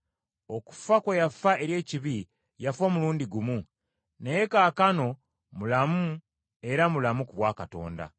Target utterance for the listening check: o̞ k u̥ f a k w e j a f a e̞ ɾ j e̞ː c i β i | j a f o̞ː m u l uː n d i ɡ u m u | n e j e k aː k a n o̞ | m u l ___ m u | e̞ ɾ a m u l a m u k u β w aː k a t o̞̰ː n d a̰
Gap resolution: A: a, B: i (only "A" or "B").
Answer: A